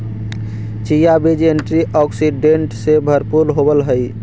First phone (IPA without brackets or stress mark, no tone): t͡ʃ